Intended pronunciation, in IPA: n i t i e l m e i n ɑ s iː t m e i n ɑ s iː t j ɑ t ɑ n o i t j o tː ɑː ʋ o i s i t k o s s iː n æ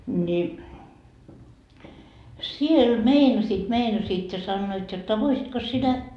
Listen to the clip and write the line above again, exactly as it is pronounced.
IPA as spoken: n i s i e l m e i n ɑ s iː t m e i n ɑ s iː t j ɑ s ɑ nː o i t j o tː ɑ ʋ o i s i t k o s s i n æ